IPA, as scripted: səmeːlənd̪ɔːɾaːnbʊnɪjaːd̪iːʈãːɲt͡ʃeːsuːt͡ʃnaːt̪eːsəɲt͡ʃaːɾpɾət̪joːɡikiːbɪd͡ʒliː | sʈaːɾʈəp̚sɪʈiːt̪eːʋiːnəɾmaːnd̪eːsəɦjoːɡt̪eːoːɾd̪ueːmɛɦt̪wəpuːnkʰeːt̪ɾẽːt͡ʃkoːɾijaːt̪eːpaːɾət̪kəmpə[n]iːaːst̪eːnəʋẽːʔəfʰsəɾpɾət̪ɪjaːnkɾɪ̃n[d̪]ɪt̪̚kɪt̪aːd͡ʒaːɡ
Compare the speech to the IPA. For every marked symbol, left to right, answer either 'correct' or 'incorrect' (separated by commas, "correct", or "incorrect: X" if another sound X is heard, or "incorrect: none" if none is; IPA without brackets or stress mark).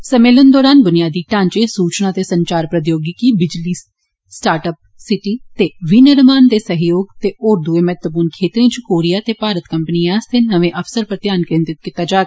correct, incorrect: t̪